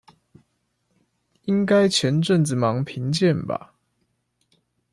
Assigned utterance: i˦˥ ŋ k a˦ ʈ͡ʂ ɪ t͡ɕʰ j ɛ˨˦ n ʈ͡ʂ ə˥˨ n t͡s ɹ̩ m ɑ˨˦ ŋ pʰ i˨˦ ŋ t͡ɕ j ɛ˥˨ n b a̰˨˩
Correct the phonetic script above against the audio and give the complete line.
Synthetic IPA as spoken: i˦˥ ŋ k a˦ ɪ t͡ɕʰ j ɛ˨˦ n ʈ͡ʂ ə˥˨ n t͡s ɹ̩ m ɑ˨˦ ŋ pʰ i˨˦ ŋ t͡ɕ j ɛ˥˨ n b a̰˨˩